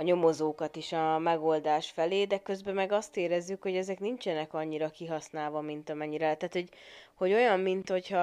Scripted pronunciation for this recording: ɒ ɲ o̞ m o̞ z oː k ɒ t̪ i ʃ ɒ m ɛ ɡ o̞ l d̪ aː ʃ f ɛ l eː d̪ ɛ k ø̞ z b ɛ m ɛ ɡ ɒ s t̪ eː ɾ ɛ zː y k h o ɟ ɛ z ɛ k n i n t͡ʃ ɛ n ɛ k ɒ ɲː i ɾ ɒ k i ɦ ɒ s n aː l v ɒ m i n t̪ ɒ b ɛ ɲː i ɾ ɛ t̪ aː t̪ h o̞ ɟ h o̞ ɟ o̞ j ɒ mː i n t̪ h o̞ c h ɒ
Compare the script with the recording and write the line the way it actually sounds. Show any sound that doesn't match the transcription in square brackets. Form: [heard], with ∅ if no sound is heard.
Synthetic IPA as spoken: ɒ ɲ o̞ m o̞ z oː k ɒ t̪ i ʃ ɒ m ɛ ɡ o̞ l d̪ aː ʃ f ɛ l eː d̪ ɛ k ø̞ z b ɛ m ɛ ɡ ɒ s t̪ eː ɾ ɛ zː y k h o ɟ ɛ z ɛ k n i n t͡ʃ ɛ n ɛ k ɒ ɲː i ɾ ɒ k i ɦ ɒ s n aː l v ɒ m i n t̪ ɒ [m] ɛ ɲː i ɾ ɛ t̪ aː t̪ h o̞ ɟ h o̞ ɟ o̞ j ɒ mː i n t̪ h o̞ c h ɒ